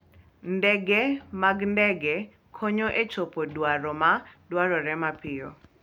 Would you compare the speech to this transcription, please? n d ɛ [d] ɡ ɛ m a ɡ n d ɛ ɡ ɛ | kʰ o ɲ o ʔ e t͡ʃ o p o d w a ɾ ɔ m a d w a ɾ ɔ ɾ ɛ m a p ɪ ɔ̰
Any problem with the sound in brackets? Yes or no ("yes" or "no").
yes